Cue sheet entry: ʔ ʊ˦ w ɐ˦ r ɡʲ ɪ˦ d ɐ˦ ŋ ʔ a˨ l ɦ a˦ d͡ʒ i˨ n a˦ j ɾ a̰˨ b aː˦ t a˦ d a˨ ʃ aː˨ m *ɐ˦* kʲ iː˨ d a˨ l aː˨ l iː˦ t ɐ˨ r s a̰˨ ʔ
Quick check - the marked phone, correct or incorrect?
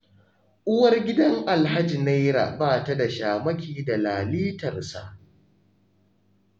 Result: correct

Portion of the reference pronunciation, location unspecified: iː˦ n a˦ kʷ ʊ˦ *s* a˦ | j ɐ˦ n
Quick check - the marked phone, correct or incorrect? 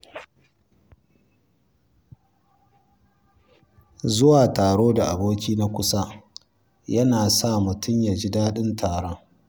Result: correct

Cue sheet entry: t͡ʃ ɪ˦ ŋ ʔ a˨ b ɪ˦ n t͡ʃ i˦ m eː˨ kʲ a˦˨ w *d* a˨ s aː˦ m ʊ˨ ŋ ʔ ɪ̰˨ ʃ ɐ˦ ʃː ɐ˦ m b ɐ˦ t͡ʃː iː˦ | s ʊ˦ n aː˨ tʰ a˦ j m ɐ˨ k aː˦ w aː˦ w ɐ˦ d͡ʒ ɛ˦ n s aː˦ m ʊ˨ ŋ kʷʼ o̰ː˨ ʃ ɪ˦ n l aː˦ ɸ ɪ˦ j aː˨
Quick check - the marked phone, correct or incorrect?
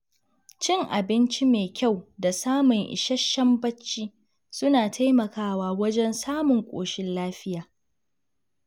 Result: correct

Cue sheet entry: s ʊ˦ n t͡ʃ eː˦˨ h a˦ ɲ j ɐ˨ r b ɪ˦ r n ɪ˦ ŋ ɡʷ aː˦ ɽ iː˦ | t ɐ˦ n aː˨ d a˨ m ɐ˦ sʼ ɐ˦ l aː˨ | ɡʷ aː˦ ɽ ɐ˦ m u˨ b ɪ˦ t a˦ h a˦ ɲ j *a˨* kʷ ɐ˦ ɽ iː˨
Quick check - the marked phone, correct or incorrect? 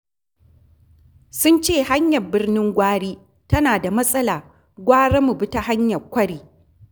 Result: incorrect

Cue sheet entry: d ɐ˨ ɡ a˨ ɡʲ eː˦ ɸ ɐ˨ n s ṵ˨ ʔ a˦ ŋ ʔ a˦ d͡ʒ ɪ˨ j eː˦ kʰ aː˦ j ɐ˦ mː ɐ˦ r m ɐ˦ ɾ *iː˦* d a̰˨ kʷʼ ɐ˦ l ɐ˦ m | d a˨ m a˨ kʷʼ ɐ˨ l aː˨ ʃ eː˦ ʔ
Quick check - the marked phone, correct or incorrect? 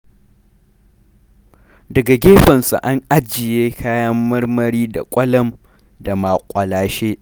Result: correct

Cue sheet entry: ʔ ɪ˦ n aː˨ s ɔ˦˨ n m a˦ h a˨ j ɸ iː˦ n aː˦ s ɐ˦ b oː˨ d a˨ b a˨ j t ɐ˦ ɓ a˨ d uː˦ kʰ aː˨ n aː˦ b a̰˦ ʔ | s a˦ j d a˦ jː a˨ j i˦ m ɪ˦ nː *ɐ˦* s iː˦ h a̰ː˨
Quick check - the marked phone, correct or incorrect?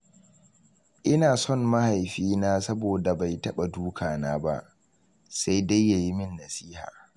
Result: incorrect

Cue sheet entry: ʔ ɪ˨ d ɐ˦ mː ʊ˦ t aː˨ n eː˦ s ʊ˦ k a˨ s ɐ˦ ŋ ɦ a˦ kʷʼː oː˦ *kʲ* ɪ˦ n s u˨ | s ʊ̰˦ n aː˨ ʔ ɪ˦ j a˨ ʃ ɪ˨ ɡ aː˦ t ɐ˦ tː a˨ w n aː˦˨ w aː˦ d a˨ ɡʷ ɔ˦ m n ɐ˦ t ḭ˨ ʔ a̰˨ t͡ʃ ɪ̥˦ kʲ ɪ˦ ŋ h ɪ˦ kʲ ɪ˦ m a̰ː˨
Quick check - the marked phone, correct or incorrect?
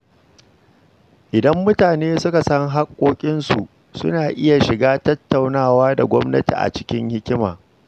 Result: incorrect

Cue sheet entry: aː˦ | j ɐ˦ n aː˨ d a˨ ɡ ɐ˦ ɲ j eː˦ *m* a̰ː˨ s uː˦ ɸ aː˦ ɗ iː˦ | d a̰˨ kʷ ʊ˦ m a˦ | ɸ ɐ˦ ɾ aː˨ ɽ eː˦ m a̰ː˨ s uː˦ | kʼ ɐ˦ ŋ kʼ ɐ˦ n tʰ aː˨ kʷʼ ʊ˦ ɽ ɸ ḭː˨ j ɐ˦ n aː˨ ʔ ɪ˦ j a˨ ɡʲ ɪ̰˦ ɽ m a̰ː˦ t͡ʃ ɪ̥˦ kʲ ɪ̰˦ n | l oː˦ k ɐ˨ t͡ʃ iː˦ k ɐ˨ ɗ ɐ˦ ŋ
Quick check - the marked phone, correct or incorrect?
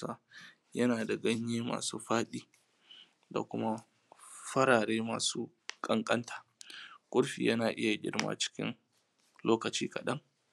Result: correct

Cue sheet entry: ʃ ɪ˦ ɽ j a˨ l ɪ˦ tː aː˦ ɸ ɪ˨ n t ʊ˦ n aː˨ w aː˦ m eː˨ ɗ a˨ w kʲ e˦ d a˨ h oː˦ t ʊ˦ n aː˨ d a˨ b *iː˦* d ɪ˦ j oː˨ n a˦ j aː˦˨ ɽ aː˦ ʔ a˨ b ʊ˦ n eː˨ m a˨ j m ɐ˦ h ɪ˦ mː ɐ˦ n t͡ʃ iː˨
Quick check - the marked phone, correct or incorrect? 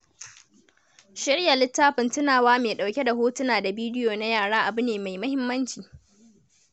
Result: correct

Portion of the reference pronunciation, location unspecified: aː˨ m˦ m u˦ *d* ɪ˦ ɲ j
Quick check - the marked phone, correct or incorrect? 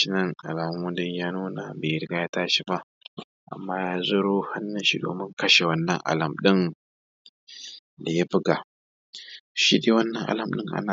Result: correct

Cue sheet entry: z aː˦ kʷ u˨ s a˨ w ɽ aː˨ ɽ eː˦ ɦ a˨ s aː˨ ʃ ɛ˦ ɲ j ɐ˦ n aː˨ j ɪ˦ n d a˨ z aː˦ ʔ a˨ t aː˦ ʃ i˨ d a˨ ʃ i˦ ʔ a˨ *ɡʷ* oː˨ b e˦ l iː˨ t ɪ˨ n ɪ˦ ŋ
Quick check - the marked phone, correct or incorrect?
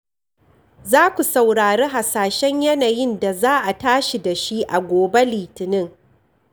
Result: correct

